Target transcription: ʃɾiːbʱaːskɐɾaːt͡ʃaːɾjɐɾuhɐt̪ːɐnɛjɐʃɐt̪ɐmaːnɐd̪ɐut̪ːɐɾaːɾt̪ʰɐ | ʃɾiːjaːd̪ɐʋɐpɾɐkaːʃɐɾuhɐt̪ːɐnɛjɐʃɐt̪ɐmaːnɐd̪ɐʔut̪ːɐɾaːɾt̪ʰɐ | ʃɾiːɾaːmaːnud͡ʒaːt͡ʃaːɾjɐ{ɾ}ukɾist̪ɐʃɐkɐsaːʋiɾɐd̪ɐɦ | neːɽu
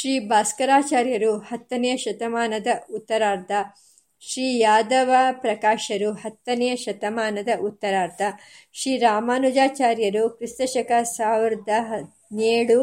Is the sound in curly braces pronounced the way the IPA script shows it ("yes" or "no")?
yes